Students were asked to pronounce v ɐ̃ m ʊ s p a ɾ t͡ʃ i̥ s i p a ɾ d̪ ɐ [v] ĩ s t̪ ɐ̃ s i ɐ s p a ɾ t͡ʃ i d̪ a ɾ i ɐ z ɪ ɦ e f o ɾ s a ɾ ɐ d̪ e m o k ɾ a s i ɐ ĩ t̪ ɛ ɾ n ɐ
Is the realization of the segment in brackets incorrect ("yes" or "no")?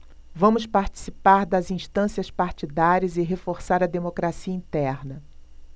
yes